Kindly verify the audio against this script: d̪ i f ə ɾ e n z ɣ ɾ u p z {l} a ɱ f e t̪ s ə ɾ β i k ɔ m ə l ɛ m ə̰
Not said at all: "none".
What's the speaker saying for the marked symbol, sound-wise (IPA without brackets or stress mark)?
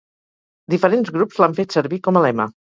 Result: l